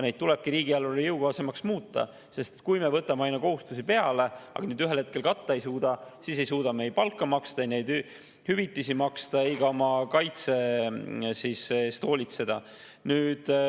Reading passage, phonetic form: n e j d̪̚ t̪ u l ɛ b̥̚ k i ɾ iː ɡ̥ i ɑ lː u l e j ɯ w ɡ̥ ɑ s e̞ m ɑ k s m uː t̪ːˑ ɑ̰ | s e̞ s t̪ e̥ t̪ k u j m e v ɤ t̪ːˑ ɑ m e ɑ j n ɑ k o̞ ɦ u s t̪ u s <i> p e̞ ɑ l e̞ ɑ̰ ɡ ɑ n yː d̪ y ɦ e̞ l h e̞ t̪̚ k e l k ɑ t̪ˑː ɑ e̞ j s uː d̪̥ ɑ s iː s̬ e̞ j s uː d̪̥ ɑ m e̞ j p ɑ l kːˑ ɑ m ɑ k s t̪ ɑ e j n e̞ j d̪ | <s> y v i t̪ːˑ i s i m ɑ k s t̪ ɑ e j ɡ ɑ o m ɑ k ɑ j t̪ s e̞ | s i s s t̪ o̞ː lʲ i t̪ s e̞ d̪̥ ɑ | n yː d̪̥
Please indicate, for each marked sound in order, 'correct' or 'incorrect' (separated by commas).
correct, incorrect